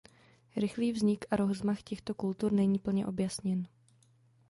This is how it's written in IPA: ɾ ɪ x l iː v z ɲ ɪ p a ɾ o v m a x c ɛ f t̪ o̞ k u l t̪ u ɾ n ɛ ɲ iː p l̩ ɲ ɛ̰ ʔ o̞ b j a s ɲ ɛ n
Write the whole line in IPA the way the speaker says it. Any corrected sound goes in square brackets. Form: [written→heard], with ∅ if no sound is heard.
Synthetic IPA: ɾ ɪ x l iː v z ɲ ɪ [p→k] a ɾ o [v→z] m a x c ɛ [f→x] t̪ o̞ k u l t̪ u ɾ n ɛ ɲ iː p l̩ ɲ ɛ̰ ʔ o̞ b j a s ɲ ɛ n